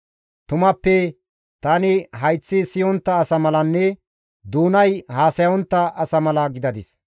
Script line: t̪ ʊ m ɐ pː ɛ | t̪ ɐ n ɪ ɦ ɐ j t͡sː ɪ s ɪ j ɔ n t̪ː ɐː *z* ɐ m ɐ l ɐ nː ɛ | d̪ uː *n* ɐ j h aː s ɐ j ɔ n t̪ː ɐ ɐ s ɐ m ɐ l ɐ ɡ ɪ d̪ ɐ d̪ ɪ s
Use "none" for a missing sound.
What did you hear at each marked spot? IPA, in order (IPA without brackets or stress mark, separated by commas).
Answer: s, n